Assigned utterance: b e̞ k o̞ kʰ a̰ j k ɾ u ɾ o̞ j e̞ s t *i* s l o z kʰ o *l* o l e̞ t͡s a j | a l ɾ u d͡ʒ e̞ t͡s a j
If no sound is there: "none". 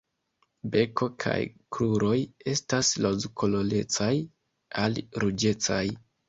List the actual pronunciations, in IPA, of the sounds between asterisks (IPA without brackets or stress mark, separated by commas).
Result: a, l